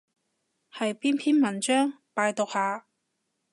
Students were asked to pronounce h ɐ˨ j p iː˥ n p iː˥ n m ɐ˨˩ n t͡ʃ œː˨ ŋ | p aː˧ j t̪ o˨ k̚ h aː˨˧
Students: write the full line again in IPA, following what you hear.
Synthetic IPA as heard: h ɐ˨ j p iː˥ n pʰ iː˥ n m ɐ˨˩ n t͡ʃ œː˥ ŋ | p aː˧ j t̪ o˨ k̚ h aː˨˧